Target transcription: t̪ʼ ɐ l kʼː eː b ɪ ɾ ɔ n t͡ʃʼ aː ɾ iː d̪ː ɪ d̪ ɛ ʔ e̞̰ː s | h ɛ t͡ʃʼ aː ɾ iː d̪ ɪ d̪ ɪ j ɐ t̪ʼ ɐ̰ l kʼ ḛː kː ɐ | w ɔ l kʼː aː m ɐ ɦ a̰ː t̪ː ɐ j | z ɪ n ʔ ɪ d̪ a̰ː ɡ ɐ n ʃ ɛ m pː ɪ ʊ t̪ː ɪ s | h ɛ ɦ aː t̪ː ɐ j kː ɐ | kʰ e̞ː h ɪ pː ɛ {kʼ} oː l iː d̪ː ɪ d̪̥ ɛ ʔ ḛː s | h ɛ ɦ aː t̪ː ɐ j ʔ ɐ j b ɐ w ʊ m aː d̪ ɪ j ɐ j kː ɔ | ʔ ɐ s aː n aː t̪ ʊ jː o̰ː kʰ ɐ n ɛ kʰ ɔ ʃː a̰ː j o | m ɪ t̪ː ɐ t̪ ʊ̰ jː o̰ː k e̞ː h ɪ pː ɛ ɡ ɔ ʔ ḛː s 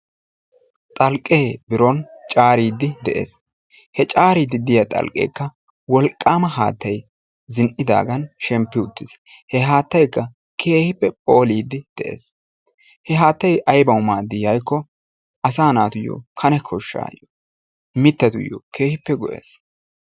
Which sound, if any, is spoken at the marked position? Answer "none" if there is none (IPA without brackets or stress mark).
pʼ